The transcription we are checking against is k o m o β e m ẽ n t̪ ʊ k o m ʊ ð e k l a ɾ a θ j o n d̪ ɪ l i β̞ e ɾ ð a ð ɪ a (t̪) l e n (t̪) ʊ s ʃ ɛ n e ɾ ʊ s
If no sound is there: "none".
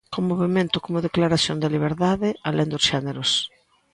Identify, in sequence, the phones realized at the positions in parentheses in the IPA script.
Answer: none, d̪

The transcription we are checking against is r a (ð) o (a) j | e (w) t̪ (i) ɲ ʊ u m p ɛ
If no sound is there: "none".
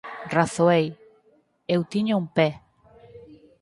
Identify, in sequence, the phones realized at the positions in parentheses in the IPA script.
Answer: θ, e, w, i

